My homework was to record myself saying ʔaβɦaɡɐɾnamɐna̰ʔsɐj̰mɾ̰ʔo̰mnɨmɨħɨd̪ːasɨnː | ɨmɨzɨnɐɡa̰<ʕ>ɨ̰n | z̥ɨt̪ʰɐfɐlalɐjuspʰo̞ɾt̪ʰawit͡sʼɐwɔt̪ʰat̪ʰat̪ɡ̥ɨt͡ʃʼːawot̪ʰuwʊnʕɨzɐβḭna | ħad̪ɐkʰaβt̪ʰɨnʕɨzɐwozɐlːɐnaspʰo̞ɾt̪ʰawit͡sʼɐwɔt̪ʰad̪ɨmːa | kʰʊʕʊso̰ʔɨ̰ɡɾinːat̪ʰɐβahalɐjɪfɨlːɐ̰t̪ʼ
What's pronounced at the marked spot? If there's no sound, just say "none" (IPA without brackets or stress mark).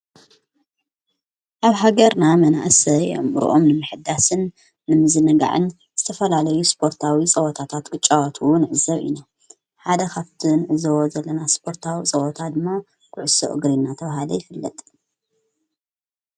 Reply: ʕ